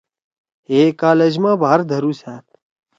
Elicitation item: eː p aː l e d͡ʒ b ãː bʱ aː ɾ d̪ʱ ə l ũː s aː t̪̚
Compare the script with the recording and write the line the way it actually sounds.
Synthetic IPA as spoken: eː k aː l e d͡ʒ m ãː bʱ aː ɾ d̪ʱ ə ɾ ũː s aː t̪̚